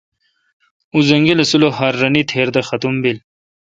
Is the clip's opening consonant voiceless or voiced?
voiced